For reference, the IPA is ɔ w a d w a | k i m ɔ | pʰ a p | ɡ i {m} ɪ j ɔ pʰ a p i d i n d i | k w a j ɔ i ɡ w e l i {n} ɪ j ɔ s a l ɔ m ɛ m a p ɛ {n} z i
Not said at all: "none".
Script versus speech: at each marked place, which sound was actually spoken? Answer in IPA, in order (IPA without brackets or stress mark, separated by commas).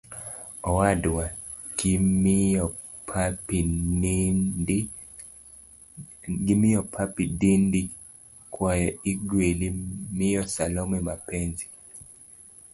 m, m, n